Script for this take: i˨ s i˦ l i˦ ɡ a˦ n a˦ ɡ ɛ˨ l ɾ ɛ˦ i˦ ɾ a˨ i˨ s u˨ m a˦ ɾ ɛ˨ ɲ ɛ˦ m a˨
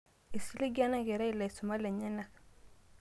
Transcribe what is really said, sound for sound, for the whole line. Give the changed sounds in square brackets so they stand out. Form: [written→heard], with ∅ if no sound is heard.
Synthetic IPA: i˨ s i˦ l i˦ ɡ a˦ n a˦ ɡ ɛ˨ [l→∅] ɾ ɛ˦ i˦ [ɾ→l] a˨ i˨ s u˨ m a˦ [ɾ→l] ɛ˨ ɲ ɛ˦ [m→n] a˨